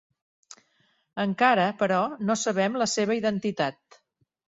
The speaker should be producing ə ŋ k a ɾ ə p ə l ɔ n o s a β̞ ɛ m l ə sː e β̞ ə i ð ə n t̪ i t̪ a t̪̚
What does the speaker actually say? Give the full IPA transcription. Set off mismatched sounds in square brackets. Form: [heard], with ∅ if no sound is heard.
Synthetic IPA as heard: ə ŋ k a ɾ ə p ə [ɾ] ɔ n o s [ə] β̞ ɛ m l ə [s] e β̞ ə i ð ə n t̪ i t̪ a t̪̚